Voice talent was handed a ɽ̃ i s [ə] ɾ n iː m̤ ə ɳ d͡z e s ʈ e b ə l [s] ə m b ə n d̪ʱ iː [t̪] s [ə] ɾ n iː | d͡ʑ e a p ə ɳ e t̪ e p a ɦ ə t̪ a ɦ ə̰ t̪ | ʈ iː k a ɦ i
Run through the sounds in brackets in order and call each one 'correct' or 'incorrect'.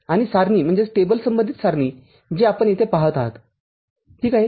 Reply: incorrect: a, correct, correct, incorrect: a

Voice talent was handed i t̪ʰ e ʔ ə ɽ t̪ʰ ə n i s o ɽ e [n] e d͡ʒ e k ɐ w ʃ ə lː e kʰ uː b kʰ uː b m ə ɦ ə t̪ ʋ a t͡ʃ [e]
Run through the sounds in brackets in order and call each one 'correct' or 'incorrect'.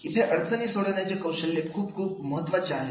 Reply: correct, incorrect: a

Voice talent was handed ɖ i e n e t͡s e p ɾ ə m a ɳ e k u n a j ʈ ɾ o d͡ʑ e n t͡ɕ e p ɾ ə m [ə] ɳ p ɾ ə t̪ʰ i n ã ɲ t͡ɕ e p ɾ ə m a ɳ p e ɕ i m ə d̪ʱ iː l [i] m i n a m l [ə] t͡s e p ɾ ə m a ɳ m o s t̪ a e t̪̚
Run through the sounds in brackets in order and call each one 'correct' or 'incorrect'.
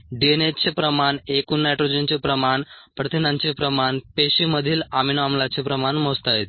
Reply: incorrect: a, incorrect: a, incorrect: a

